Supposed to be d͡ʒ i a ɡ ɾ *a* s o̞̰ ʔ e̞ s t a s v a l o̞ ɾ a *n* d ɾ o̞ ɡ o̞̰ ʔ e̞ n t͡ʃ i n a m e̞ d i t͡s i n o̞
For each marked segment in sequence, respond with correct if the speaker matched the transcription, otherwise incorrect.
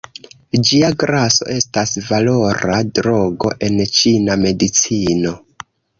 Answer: correct, incorrect: none

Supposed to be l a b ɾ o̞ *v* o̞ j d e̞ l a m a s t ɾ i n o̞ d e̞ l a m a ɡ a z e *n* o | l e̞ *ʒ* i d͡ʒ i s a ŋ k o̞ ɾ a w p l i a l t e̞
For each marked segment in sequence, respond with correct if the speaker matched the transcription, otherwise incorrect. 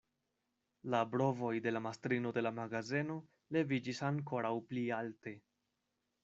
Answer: correct, correct, incorrect: v

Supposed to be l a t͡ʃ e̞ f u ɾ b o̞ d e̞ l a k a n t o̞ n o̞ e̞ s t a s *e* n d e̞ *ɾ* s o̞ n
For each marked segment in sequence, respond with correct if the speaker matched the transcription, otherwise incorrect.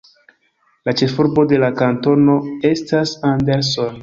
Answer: incorrect: a, correct

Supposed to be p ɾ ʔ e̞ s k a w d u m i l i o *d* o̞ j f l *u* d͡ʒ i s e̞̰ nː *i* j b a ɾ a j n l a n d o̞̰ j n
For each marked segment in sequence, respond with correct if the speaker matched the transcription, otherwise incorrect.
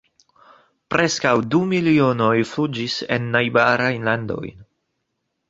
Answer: incorrect: n, correct, incorrect: a

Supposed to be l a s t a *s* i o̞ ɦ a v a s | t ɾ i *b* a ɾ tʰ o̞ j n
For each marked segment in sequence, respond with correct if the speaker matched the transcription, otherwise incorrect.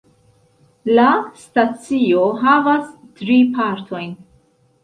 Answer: incorrect: t͡s, incorrect: p

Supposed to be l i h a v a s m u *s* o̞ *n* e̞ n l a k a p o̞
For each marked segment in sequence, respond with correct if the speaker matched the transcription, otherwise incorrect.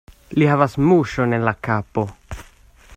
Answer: incorrect: ʃ, correct

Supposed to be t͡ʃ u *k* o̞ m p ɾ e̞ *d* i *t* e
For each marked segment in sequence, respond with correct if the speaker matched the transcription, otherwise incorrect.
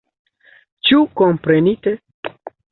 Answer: correct, incorrect: n, correct

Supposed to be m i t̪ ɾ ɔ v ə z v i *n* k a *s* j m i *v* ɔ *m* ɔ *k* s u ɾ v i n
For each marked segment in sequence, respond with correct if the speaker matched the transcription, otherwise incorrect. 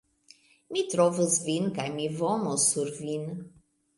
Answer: correct, incorrect: none, correct, correct, incorrect: none

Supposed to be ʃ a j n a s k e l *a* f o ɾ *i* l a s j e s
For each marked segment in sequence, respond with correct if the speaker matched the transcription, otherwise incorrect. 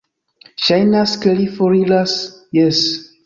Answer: incorrect: i, correct

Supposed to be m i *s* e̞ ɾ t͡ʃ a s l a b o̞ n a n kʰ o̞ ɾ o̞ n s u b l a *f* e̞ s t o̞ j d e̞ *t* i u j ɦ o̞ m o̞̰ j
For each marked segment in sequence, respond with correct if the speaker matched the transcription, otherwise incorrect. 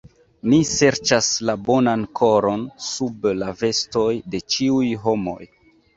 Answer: correct, incorrect: v, incorrect: t͡ʃ

